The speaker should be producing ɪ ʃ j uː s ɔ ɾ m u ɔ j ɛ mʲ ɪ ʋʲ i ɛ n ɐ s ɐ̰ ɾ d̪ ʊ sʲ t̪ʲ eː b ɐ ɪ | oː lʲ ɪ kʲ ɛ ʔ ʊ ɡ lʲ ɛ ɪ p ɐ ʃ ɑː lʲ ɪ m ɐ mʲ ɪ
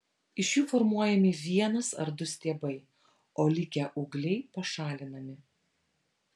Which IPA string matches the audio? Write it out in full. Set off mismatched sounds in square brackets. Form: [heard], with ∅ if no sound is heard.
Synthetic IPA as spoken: ɪ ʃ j uː [f] ɔ ɾ m u ɔ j ɛ mʲ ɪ ʋʲ i ɛ n ɐ s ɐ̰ ɾ d̪ ʊ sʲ t̪ʲ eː b ɐ ɪ | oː lʲ ɪ kʲ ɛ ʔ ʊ ɡ lʲ ɛ ɪ p ɐ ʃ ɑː lʲ ɪ [n] ɐ mʲ ɪ